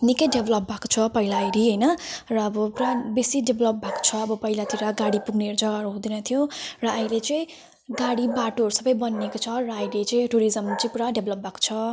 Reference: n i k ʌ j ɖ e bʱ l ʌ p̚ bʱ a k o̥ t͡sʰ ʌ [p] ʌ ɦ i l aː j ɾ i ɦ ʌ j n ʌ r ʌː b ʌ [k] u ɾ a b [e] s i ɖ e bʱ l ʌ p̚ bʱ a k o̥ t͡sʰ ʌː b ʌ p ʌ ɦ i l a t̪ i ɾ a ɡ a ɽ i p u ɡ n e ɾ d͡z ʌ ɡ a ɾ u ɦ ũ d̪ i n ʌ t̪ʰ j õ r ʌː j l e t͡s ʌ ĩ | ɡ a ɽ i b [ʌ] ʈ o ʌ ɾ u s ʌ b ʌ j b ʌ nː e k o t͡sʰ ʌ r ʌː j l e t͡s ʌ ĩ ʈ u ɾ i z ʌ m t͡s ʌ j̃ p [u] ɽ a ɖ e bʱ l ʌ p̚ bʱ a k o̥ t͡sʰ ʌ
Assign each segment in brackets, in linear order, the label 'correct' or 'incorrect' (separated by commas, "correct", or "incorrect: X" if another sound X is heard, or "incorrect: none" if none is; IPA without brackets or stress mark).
correct, incorrect: p, correct, incorrect: a, correct